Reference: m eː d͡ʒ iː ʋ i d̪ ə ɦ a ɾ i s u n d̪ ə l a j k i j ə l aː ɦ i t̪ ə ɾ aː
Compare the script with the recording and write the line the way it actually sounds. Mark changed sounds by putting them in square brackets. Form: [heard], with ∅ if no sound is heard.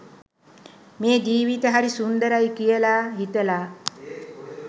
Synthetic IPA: m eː d͡ʒ iː ʋ i [t̪] ə ɦ a ɾ i s u n d̪ ə [ɾ] a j k i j ə l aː ɦ i t̪ ə [l] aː